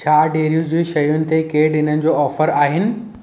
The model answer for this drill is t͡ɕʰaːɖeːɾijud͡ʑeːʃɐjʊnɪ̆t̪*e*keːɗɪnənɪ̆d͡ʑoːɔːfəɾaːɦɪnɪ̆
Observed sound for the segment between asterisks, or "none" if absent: e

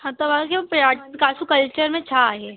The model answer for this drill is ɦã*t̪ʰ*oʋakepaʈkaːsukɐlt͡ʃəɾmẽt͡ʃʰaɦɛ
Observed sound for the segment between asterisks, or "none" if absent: t̪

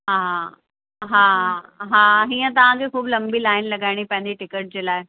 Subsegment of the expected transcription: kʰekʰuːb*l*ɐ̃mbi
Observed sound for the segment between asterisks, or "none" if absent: l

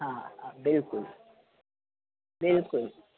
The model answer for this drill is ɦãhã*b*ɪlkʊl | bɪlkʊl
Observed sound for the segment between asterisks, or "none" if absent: b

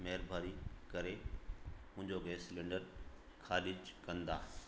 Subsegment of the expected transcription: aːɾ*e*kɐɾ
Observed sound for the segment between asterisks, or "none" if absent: i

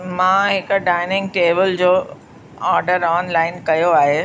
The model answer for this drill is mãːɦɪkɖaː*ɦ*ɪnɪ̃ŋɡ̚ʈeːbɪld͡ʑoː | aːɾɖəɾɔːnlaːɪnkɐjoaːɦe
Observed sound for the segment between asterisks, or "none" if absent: none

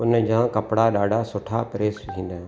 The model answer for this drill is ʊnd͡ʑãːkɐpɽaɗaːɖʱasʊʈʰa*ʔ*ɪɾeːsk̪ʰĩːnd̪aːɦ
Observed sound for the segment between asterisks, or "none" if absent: p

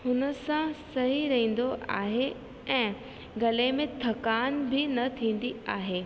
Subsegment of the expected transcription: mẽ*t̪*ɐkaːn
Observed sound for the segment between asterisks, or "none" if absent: t̪ʰ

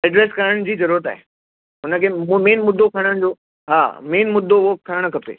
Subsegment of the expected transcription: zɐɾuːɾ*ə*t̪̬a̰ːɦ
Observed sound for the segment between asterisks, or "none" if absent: ə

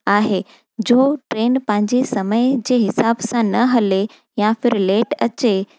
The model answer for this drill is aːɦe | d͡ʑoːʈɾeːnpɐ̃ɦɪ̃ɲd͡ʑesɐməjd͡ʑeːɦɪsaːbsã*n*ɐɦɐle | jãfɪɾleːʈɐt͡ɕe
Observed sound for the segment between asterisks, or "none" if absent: n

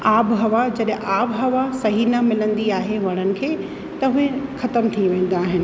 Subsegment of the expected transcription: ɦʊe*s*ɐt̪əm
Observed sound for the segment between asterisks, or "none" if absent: x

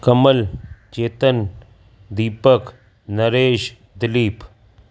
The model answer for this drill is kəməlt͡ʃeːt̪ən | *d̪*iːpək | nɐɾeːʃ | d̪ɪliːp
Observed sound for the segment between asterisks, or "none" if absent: d̪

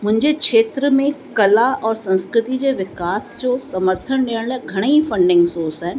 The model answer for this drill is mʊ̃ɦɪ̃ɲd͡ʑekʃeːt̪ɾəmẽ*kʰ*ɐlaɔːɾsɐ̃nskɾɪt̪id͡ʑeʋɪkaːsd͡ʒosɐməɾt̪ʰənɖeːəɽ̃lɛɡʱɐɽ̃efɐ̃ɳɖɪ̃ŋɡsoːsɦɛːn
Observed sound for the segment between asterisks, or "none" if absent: k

